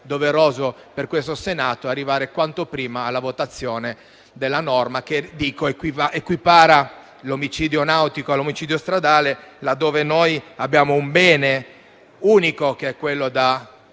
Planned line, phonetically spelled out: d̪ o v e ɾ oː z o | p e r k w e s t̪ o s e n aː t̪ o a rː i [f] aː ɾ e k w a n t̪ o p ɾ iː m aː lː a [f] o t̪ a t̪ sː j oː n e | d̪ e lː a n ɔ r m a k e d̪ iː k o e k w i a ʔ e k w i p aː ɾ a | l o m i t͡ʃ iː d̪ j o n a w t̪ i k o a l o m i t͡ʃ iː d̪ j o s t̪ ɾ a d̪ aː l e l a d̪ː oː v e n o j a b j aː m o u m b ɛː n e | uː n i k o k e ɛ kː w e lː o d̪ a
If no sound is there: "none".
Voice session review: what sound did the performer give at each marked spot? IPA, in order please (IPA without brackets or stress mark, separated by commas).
v, v